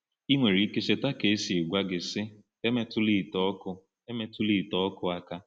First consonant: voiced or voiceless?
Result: voiced